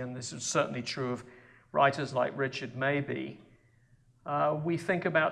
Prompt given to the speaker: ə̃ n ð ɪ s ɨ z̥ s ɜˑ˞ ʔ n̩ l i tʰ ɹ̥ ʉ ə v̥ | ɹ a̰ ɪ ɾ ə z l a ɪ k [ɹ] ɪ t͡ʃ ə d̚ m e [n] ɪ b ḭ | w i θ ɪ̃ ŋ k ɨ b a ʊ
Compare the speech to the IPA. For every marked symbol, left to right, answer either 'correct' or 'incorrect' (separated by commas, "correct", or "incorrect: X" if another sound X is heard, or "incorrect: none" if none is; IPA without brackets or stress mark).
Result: correct, incorrect: none